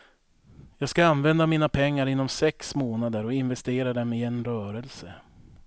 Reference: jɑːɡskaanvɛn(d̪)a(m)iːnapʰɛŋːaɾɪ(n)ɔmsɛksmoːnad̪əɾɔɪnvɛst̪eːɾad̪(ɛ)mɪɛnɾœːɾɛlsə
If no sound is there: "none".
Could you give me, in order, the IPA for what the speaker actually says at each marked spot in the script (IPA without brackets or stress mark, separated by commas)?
d̪, m, nː, ɛ